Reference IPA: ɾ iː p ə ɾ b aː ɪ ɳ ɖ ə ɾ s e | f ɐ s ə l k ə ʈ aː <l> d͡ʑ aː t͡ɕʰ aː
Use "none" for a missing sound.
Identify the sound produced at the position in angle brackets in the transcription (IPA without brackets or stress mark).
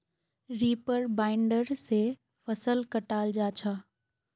l